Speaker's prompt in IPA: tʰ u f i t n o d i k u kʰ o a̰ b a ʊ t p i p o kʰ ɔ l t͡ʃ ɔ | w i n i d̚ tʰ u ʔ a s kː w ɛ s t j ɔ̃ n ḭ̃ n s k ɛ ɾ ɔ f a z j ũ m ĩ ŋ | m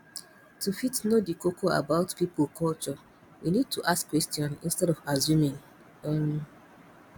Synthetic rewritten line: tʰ u f i t n o d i k o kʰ o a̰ b a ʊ t p i p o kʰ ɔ l t͡ʃ ɔ | w i n i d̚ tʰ u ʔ a s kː w ɛ s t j ɔ̃ n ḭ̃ n s t ɛ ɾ ɔ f a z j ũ m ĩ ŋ | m